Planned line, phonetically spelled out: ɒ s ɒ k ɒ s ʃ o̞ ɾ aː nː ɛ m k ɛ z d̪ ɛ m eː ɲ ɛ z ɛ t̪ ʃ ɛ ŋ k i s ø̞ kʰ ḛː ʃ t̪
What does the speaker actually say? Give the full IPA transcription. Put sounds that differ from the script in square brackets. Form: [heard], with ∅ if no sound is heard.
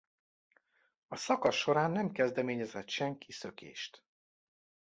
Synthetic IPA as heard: ɒ s ɒ k ɒ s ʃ o̞ ɾ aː nː ɛ m k ɛ z d̪ ɛ m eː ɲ ɛ z ɛ t̪ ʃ ɛ ŋ k i s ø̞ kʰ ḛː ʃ t̪